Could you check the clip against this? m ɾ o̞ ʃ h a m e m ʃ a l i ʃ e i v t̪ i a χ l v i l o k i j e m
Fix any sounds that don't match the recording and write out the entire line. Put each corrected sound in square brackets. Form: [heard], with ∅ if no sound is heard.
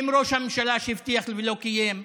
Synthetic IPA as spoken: m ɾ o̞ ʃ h a m e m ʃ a l [a] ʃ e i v t̪ i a χ l v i l o k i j e m